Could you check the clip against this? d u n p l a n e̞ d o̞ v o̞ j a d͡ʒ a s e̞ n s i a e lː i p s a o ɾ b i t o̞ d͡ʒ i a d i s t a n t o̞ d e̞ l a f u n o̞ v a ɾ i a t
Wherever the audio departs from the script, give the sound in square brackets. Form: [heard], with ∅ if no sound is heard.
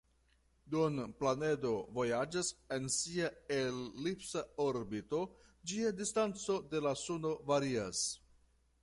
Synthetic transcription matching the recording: d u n p l a n e̞ d o̞ v o̞ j a d͡ʒ a s e̞ n s i a e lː i p s a o ɾ b i t o̞ d͡ʒ i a d i s t a n [t͡s] o̞ d e̞ l a [s] u n o̞ v a ɾ i a [s]